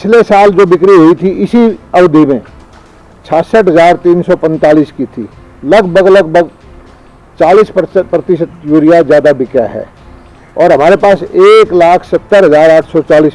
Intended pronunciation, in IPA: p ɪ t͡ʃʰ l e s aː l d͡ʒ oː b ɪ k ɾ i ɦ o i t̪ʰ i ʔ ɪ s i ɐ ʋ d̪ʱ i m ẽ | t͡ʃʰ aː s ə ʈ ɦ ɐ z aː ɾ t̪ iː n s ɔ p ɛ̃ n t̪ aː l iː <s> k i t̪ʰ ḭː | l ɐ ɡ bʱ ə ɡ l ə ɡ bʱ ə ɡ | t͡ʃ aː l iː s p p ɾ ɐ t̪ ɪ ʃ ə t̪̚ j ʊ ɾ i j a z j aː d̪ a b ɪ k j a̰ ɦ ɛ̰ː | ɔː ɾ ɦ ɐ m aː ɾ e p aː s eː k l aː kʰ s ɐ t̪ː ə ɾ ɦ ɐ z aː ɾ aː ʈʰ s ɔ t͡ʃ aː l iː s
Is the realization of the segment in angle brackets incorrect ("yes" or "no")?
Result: no